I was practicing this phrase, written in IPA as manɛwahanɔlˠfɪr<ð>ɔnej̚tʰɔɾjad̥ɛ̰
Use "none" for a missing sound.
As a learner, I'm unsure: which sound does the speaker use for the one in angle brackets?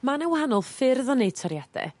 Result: ð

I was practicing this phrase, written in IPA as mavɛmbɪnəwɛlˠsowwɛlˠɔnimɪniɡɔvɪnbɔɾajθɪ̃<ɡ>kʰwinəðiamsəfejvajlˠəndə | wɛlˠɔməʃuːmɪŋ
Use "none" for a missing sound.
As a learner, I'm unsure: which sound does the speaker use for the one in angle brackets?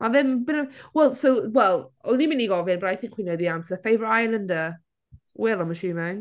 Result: ŋ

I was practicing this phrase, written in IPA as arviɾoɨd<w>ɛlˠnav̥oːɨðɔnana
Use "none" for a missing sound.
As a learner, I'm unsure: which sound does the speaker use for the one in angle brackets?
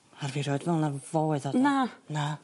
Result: v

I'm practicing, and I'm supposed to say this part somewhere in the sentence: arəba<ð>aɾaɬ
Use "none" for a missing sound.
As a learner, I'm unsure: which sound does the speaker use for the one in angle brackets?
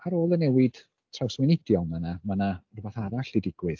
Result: θ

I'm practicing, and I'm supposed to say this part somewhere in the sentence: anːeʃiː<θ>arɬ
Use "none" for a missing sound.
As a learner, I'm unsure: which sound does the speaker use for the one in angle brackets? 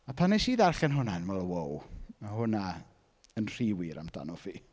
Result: ð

